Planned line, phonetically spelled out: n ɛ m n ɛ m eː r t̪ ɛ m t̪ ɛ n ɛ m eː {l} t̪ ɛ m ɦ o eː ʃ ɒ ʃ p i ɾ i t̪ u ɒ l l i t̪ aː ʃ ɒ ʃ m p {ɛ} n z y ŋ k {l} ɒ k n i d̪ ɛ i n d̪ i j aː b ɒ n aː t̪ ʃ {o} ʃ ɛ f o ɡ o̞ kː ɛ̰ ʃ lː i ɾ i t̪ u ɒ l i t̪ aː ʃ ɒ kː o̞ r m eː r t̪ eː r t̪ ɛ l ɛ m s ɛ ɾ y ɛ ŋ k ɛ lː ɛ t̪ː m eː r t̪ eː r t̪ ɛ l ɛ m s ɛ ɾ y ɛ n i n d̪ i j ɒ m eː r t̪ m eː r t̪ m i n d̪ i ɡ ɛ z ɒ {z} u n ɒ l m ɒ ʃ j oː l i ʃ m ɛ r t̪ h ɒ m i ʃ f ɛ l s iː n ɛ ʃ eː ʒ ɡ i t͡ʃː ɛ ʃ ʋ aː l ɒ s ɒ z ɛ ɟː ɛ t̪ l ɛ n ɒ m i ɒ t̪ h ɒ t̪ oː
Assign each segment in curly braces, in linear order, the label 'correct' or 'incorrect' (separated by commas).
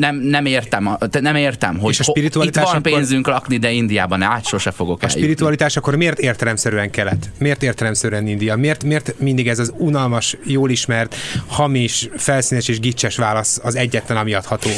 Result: incorrect, incorrect, correct, correct, correct